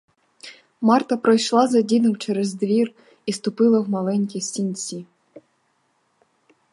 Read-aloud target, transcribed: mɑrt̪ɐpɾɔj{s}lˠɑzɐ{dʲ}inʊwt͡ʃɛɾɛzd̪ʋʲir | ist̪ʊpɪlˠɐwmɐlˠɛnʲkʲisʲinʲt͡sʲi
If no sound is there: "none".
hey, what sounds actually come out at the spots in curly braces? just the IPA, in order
ʃ, dʲ

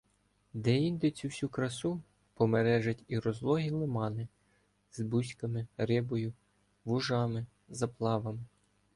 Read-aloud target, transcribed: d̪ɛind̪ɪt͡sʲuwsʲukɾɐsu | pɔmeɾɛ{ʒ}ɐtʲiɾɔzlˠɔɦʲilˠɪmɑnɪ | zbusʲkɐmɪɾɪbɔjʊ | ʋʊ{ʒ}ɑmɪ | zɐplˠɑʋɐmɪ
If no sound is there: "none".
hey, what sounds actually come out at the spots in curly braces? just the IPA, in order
ʒ, ʒ

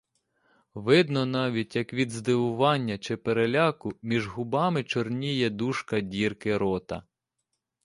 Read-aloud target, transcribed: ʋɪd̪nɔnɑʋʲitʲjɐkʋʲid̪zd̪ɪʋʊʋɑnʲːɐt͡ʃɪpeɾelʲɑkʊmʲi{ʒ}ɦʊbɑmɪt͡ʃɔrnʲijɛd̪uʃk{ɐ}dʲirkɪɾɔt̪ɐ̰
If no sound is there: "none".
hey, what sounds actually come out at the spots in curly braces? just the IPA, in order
ʒ, ɐ

